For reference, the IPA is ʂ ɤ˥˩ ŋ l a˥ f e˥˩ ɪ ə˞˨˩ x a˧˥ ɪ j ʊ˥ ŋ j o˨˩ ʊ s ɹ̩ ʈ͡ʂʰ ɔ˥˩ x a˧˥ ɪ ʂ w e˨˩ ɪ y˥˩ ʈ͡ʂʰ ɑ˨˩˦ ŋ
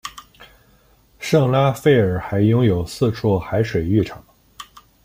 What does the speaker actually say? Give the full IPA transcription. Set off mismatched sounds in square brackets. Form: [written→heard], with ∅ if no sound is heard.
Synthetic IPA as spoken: ʂ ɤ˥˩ ŋ l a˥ f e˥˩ ɪ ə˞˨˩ x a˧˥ ɪ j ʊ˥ ŋ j o˨˩ ʊ s ɹ̩ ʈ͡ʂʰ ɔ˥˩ x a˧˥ ɪ ʂ w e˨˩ ɪ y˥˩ ʈ͡ʂʰ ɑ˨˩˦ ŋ